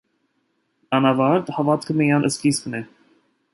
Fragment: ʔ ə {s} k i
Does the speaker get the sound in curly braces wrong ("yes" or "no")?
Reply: no